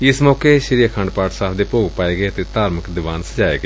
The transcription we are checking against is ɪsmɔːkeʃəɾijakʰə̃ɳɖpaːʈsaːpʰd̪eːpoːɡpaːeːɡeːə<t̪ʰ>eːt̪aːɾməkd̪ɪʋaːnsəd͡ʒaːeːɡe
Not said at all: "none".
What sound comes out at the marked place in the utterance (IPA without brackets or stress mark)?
t̪